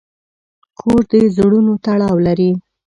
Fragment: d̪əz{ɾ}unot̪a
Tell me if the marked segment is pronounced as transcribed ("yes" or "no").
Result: no